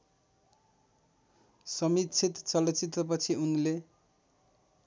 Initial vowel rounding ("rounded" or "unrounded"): unrounded